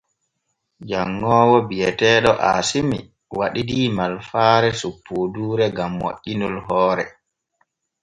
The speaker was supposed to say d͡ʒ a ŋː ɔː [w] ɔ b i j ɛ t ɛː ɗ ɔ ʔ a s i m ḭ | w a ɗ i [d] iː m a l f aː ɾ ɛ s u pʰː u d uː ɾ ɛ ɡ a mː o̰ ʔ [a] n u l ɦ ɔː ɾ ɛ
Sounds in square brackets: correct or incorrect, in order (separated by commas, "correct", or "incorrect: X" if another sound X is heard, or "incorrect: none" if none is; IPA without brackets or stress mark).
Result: correct, correct, incorrect: i